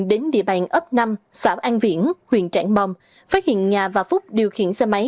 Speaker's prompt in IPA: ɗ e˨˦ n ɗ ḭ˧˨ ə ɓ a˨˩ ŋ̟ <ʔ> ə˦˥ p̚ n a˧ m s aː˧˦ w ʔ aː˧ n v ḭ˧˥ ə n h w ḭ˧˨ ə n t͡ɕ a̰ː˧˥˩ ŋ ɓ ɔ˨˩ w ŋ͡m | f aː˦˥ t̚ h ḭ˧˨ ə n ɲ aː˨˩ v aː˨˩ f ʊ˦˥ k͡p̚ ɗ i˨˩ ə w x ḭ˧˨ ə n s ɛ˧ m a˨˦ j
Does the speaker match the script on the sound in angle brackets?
yes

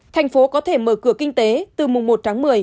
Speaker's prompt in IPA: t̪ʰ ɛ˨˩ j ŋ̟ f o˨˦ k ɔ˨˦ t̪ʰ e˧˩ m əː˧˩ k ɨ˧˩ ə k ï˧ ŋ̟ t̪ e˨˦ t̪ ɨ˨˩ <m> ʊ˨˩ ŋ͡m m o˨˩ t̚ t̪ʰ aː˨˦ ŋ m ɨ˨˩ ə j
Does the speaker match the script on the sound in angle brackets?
yes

